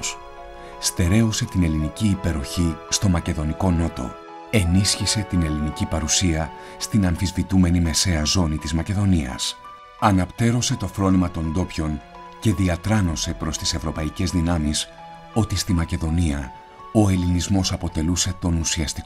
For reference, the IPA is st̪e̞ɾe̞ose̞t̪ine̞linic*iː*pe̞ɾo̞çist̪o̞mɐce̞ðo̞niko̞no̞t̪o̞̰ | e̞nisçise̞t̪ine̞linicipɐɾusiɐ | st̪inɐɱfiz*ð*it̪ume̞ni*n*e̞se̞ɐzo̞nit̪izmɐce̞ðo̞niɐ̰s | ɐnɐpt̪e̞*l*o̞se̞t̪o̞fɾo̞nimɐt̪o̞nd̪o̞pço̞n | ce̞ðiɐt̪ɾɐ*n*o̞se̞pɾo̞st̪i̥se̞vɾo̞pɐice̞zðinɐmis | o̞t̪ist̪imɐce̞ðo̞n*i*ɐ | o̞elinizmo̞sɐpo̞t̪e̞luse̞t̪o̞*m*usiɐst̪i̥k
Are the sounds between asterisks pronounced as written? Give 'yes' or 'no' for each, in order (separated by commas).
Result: yes, no, no, no, yes, yes, no